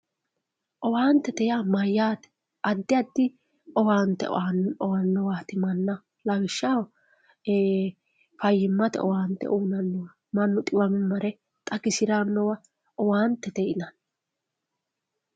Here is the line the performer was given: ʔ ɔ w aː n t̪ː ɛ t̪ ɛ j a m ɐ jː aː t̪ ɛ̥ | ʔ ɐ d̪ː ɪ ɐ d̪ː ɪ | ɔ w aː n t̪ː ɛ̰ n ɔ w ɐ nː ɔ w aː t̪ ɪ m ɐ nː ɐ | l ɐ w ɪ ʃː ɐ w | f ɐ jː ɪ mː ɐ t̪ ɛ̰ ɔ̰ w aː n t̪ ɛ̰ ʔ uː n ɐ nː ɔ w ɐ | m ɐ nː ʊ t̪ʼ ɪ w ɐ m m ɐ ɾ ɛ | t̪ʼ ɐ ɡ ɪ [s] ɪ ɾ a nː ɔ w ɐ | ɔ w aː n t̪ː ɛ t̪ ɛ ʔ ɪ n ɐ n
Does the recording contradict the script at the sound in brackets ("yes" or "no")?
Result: no